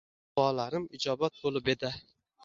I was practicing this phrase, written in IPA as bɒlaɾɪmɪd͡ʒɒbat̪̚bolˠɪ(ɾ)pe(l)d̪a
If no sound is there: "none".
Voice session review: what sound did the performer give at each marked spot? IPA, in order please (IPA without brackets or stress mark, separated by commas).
none, none